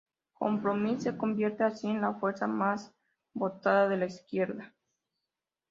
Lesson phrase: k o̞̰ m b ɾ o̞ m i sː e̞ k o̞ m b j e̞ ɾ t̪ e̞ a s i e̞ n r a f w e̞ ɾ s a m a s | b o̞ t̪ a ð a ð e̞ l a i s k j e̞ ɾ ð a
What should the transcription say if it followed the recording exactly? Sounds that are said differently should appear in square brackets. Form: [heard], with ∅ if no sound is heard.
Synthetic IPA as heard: k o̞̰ m [p] ɾ o̞ m i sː e̞ k o̞ m b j e̞ ɾ t̪ e̞ a s i e̞ n [l] a f w e̞ ɾ s a m a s | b o̞ t̪ a ð a ð e̞ l a i s k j e̞ ɾ ð a